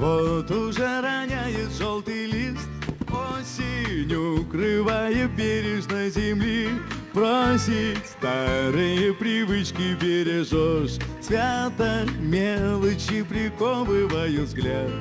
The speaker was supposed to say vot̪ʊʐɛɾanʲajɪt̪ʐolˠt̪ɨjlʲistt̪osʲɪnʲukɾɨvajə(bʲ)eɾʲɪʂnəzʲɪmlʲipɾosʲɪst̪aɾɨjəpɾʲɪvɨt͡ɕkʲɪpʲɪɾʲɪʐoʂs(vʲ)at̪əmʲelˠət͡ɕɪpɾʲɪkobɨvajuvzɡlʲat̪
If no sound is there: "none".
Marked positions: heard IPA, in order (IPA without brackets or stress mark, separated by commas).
bʲ, vʲ